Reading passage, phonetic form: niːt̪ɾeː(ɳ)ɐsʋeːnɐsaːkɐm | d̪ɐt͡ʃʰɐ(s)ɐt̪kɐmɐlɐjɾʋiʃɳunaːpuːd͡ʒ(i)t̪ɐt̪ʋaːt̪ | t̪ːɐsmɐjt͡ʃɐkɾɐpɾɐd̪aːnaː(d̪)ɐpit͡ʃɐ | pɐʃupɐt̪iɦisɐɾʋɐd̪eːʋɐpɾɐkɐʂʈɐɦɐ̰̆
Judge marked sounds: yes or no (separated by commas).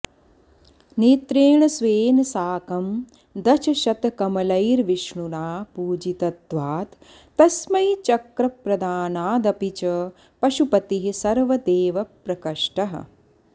yes, no, yes, yes